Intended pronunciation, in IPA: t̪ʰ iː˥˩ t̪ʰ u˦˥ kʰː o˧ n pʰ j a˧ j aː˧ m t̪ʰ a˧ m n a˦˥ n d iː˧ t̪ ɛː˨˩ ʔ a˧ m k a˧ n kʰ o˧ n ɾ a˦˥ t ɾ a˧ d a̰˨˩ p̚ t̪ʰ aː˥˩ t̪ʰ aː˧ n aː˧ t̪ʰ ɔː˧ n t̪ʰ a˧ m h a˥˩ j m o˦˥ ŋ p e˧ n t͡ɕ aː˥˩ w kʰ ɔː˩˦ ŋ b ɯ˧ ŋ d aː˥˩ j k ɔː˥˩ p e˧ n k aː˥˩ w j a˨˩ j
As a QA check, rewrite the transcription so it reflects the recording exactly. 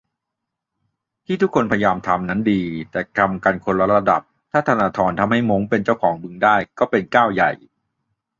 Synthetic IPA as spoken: t̪ʰ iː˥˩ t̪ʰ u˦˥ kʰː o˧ n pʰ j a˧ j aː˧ m t̪ʰ a˧ m n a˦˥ n d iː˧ t̪ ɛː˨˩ k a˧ m k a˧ n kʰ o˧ n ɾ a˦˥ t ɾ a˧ d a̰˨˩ p̚ t̪ʰ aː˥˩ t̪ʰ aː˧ n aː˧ t̪ʰ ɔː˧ n t̪ʰ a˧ m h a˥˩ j m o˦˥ ŋ p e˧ n t͡ɕ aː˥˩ w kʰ ɔː˩˦ ŋ b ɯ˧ ŋ d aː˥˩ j k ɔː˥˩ p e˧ n k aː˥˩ w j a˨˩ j

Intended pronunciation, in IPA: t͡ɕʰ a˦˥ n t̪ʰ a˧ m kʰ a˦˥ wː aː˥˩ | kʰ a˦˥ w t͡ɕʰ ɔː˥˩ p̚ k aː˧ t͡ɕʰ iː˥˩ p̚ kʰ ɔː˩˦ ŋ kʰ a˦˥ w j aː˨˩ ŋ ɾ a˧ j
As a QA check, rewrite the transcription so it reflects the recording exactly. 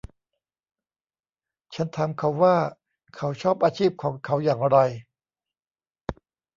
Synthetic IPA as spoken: t͡ɕʰ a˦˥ n t̪ʰ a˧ m kʰ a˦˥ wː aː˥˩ | kʰ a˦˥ w t͡ɕʰ ɔː˥˩ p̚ ʔ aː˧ t͡ɕʰ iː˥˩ p̚ kʰ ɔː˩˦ ŋ kʰ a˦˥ w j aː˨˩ ŋ ɾ a˧ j

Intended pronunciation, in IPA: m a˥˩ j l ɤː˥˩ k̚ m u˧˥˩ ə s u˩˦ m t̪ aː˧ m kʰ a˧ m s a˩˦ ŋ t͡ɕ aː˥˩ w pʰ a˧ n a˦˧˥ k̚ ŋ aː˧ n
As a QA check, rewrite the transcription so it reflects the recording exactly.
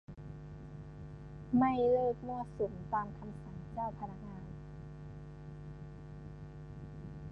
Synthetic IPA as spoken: m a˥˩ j l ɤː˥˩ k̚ m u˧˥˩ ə s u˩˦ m t̪ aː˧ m kʰ a˧ m s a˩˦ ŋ t͡ɕ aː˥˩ w pʰ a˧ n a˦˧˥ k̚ ŋ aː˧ n

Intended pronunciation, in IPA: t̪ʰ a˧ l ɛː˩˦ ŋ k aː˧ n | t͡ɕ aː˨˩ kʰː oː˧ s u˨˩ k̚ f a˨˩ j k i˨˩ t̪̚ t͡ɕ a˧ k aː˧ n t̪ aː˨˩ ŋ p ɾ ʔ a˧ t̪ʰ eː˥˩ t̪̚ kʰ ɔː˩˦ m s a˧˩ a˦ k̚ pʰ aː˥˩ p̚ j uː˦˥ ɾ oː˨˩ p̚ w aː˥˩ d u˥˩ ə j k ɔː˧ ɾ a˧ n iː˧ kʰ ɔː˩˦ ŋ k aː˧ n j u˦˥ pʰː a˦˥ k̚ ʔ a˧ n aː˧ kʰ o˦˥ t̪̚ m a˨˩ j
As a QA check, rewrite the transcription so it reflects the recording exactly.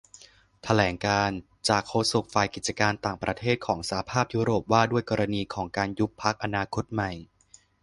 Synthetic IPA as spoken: t̪ʰ a˧ l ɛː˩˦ ŋ k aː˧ n | t͡ɕ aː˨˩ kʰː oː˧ s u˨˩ k̚ f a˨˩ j k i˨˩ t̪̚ t͡ɕ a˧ k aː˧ n t̪ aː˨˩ ŋ p ɾ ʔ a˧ t̪ʰ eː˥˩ t̪̚ kʰ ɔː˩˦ ŋ s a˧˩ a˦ pʰ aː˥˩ p̚ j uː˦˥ ɾ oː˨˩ p̚ w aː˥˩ d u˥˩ ə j k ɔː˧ ɾ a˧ n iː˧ kʰ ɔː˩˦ ŋ k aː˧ n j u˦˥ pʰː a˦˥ k̚ ʔ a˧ n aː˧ kʰ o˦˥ t̪̚ m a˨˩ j

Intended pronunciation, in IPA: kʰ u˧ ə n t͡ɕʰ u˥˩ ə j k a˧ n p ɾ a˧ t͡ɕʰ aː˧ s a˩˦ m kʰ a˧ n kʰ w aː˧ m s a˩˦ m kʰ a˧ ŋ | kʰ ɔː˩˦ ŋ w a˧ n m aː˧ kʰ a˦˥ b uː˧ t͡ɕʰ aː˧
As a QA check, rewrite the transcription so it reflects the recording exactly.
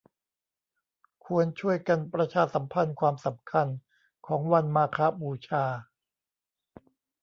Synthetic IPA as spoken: kʰ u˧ ə n t͡ɕʰ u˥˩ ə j k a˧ n p ɾ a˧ t͡ɕʰ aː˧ s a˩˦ m pʰ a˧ n kʰ w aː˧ m s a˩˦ m kʰ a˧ n | kʰ ɔː˩˦ ŋ w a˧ n m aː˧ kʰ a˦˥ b uː˧ t͡ɕʰ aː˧

